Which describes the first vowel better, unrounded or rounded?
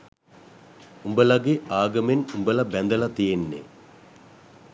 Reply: rounded